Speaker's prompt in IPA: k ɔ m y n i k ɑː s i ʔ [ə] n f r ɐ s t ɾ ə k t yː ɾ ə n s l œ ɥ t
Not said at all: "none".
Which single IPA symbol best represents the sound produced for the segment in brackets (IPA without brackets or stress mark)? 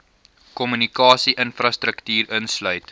ə